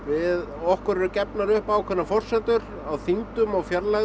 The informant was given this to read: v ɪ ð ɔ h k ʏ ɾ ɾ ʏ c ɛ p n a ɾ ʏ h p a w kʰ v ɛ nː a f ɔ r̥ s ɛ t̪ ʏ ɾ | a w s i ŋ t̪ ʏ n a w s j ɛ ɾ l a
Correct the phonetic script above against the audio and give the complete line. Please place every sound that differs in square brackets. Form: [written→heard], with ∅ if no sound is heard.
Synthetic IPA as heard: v ɪ ð ɔ h k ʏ ɾ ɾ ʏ c ɛ p n a ɾ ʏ h p a w kʰ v ɛ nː a f ɔ r̥ s ɛ t̪ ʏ ɾ | a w [s→θ] i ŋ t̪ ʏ [n→m] a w [s→f] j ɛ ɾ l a